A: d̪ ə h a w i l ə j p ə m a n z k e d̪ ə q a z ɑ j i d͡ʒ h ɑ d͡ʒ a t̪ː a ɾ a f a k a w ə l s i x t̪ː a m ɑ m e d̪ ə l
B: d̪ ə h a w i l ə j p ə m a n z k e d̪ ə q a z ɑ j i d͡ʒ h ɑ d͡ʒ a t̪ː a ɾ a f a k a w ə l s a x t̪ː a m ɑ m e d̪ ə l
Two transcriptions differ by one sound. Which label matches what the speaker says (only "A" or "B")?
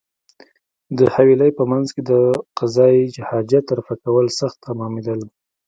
B